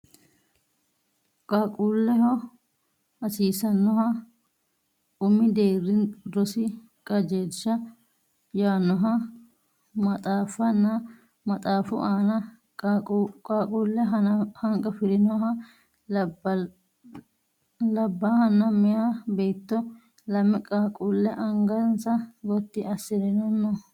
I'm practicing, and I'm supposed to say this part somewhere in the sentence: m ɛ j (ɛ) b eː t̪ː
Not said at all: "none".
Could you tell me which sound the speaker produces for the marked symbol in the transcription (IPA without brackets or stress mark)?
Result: a